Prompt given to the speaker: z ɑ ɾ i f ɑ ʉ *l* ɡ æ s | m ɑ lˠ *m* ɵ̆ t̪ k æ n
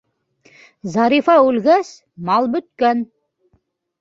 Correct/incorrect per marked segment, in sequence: correct, incorrect: b

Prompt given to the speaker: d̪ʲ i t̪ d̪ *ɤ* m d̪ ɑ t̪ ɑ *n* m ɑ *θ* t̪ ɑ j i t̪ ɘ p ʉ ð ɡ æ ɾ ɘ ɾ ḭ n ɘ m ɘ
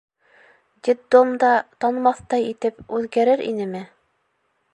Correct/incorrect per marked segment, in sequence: incorrect: o, correct, correct

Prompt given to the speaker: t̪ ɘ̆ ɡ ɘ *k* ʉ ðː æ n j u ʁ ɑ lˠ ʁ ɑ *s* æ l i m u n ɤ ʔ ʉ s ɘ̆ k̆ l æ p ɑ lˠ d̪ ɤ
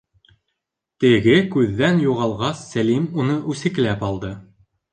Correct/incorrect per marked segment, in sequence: correct, incorrect: sː

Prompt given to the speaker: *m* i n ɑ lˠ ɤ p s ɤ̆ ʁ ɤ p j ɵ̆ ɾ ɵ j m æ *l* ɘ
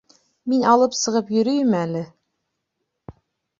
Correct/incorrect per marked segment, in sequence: correct, correct

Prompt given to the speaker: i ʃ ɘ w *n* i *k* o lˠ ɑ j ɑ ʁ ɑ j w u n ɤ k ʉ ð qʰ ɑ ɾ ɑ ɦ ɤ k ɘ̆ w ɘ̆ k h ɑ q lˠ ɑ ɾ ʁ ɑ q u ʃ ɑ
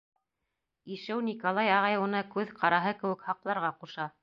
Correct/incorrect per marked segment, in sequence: correct, correct

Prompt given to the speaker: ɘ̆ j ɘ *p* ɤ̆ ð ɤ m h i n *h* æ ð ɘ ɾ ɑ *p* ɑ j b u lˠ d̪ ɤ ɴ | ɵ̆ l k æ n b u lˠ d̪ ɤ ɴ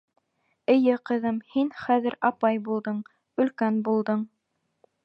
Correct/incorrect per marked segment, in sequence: incorrect: q, incorrect: χ, correct

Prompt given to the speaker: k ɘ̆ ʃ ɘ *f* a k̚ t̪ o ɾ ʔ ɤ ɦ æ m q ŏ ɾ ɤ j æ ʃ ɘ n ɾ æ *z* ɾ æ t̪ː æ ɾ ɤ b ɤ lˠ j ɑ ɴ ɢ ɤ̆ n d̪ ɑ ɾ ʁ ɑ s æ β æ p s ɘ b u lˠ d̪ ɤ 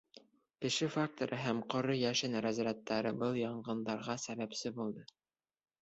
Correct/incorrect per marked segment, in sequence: correct, correct

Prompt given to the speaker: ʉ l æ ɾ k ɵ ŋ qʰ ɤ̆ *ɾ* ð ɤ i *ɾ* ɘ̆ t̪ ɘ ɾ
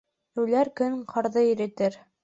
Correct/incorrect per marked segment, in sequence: correct, correct

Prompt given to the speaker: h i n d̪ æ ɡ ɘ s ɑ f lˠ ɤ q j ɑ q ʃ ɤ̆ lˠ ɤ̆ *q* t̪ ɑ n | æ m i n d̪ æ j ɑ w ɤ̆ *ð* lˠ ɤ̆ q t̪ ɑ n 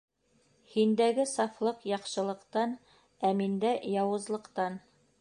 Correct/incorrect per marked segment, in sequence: correct, incorrect: z

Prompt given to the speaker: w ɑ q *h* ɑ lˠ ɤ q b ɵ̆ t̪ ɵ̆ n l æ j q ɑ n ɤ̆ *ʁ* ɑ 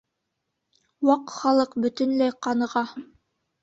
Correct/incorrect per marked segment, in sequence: incorrect: χ, correct

